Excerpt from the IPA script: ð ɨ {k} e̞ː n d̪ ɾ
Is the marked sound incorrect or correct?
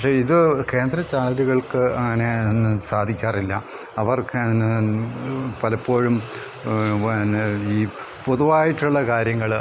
correct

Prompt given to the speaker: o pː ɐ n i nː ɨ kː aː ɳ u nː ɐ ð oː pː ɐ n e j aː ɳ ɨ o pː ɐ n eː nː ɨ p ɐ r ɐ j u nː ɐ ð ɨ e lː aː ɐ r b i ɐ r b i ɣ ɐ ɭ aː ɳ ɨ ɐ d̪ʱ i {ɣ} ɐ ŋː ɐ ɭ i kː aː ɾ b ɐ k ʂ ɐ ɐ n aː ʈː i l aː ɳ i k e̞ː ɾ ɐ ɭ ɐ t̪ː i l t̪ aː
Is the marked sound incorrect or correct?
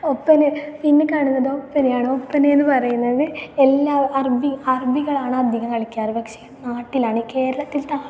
correct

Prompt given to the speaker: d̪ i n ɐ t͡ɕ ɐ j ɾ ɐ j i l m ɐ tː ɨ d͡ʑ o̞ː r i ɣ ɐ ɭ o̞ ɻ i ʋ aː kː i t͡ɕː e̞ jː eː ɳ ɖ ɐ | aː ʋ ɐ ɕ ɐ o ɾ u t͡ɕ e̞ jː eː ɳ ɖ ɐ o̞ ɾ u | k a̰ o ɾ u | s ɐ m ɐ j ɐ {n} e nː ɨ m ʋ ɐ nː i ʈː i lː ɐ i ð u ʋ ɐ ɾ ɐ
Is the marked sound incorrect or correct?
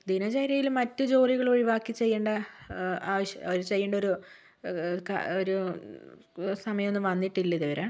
incorrect: m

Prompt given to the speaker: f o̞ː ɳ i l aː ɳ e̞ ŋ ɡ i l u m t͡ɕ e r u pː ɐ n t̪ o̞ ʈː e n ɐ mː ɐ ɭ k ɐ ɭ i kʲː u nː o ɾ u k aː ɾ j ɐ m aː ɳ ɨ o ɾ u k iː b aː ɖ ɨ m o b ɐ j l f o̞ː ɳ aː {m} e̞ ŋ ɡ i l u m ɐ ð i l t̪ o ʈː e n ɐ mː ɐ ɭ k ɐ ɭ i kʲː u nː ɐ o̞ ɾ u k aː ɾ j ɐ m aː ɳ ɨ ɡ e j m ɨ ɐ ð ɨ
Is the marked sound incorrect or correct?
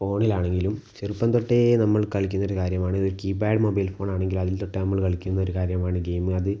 incorrect: ɳ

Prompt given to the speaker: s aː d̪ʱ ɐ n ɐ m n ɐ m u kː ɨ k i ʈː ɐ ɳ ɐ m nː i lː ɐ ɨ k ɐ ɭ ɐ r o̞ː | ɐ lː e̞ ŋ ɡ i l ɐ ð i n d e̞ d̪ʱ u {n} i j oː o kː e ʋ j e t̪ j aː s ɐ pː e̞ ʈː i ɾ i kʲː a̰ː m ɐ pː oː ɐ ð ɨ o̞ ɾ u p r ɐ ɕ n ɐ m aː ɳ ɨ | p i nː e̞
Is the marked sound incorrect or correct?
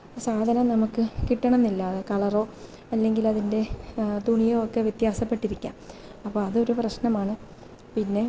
incorrect: ɳ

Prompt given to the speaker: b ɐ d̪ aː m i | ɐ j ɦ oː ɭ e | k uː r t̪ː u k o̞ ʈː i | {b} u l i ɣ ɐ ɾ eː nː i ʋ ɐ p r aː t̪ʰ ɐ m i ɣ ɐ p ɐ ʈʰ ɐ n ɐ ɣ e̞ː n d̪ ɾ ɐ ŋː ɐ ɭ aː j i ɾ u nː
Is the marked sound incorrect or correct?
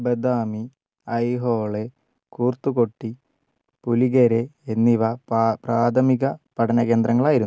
incorrect: p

